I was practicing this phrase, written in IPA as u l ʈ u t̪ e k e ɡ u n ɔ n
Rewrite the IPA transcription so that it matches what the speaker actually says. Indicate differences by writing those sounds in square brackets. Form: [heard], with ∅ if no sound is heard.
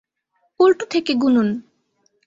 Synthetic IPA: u l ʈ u [t̪ʰ] e k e ɡ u n [u] n